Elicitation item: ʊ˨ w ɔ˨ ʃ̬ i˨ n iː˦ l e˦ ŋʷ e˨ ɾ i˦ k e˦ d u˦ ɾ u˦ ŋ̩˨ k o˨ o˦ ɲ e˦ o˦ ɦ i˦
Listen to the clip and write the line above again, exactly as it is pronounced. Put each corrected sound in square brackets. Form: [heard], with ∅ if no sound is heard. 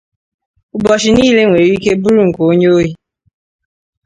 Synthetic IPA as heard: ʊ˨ [b] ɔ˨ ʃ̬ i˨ n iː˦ l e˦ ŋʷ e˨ ɾ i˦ k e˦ [b] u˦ ɾ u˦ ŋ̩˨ k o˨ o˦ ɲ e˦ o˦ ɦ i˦